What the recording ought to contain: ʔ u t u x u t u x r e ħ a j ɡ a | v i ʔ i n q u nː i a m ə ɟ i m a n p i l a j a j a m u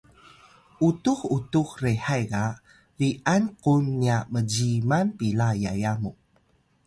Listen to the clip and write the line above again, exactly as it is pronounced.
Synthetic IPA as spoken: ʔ u t u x u t u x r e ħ a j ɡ a | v i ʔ a n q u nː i a m ə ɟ i m a n p i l a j a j a m u